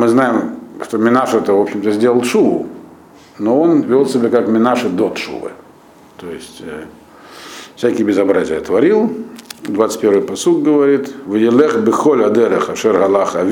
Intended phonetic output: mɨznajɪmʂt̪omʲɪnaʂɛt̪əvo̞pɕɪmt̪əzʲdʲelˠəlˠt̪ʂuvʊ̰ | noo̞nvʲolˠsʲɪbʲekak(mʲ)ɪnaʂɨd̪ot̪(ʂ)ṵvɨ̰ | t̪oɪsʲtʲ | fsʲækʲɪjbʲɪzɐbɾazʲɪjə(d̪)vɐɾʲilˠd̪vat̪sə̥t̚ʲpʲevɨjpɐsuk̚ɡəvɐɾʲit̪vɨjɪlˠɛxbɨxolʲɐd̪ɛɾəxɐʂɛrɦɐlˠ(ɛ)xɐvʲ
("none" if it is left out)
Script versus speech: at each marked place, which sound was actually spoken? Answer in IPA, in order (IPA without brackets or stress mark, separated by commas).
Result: mʲ, ʂ, t̪, a